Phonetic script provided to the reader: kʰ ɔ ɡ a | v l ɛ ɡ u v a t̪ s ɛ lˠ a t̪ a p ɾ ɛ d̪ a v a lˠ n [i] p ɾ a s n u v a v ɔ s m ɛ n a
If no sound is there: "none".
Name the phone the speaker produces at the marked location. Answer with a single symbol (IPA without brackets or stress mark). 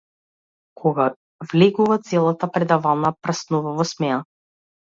a